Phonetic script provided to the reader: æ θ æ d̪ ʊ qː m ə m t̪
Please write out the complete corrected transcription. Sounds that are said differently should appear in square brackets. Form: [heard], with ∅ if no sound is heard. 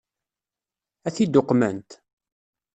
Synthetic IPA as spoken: æ θ [i] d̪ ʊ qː m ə [n] t̪

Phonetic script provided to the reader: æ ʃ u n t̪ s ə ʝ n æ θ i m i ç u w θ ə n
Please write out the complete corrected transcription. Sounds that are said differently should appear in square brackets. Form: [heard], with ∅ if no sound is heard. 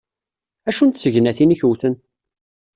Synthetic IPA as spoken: æ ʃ u n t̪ s ə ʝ n æ θ i [n] i ç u w θ ə n

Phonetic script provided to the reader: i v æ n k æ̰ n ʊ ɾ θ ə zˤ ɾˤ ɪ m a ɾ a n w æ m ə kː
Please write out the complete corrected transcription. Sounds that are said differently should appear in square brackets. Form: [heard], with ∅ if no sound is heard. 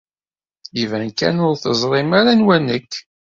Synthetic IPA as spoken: i v æ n k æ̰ n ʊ ɾ θ ə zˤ ɾˤ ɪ m a ɾ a n w æ [n] ə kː

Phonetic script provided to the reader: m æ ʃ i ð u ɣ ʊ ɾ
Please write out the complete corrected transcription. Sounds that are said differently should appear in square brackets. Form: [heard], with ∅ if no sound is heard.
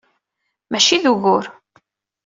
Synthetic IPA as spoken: m æ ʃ i ð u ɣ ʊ ɾ

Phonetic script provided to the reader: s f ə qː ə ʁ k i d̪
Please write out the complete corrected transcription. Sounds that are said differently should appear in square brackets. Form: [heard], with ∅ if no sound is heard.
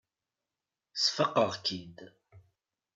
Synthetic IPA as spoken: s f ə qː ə ʁ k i d̪

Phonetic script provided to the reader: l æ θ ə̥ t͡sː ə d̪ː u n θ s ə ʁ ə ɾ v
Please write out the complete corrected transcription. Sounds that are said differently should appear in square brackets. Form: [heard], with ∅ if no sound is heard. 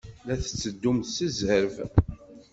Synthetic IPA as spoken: l æ θ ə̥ t͡sː ə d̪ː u [m] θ s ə [z] ə ɾ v

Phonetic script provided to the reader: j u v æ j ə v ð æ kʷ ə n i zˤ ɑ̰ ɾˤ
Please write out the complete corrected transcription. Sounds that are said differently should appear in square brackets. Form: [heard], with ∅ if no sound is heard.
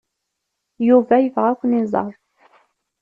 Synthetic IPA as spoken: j u v æ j ə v [ʁ] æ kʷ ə n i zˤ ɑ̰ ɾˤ

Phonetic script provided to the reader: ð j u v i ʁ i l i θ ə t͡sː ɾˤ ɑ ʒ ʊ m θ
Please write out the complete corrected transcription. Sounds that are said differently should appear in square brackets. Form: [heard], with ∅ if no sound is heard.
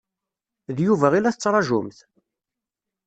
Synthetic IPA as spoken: ð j u v [æ] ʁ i l [æ] θ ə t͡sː ɾˤ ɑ ʒ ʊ m θ

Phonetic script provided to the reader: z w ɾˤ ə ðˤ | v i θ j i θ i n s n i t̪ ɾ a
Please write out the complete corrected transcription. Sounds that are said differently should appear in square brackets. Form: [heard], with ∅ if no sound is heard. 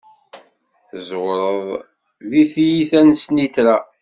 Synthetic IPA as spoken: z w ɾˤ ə ðˤ | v i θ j i θ [æ] n s n i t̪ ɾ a

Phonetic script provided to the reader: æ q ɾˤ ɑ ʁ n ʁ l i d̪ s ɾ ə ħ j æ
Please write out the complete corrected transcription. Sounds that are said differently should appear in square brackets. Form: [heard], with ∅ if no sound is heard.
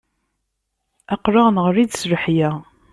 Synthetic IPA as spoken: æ q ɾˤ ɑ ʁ n ʁ [ɾ] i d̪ s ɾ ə ħ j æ

